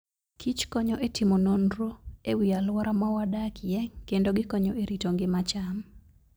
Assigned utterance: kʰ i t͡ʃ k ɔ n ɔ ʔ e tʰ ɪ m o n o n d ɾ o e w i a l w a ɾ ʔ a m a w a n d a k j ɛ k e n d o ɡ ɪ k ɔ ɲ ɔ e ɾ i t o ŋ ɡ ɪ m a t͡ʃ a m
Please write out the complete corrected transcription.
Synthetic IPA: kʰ i t͡ʃ k ɔ ɲ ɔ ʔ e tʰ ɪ m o n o n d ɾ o e w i a l w a ɾ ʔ a m a w a d a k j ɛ k e n d o ɡ ɪ k ɔ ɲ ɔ e ɾ i t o ŋ ɡ ɪ m a t͡ʃ a m